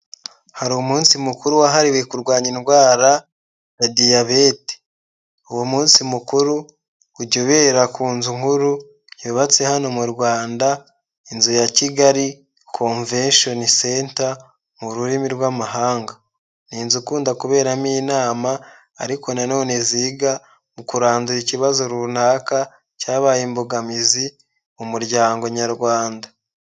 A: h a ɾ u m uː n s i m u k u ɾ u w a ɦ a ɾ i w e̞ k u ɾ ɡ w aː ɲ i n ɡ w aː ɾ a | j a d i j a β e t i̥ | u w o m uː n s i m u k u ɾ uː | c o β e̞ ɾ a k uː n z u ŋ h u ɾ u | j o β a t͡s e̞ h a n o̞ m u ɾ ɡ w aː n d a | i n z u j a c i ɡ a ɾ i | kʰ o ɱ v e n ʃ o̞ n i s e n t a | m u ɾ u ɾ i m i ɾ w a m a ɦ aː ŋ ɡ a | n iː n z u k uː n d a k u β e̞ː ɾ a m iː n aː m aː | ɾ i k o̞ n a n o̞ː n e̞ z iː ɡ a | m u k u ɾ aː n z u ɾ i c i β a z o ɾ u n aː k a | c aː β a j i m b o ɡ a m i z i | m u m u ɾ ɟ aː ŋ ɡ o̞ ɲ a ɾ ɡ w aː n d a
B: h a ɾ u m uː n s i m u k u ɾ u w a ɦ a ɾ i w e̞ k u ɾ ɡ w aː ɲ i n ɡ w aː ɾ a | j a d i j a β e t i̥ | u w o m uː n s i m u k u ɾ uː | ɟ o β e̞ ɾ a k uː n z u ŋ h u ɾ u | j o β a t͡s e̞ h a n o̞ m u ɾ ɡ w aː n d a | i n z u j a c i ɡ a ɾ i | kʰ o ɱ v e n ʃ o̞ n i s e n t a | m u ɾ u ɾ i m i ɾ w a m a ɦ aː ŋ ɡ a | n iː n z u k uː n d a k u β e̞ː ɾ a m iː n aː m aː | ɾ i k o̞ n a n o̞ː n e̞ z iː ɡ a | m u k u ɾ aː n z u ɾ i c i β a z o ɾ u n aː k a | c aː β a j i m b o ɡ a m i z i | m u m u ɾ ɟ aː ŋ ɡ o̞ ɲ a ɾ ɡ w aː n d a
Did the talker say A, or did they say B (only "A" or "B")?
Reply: B